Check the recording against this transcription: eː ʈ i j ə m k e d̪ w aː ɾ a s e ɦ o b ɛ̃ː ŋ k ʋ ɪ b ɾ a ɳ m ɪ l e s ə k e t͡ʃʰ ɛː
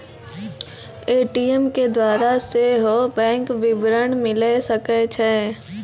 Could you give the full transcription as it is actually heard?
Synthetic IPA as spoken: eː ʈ i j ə m k e d̪ w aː ɾ a s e ɦ o b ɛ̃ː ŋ k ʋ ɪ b ɾ ə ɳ m ɪ l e s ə k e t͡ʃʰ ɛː